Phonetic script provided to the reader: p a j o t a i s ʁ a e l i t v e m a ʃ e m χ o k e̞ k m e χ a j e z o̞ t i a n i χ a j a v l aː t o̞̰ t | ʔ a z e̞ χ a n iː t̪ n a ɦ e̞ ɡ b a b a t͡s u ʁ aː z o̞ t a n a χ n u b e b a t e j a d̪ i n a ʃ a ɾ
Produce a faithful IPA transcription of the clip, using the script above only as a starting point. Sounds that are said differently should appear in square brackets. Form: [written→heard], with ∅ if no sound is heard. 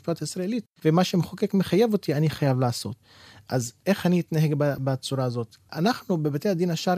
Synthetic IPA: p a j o t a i s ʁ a e l i t v e m a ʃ e m χ o k e̞ k m e χ a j e [z→v] o̞ t i a n i χ a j a v l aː [t→s] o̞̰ t | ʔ a z e̞ χ a n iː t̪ n a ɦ e̞ ɡ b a b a t͡s u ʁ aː z o̞ t a n a χ n u b e b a t e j a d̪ i n a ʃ a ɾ